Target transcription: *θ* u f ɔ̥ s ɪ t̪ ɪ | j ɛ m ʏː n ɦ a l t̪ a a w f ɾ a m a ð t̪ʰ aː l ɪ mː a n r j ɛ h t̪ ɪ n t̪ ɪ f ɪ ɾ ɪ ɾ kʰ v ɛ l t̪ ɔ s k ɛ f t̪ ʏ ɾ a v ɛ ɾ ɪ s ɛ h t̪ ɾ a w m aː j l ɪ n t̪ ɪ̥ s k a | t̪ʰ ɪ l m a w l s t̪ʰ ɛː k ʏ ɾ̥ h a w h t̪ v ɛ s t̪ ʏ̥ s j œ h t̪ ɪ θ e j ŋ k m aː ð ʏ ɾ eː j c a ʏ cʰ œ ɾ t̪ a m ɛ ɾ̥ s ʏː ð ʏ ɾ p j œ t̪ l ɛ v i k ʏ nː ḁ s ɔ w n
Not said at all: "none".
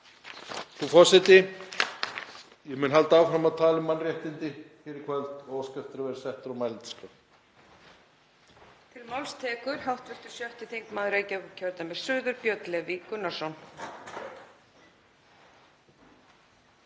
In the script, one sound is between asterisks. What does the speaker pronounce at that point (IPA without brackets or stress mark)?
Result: θ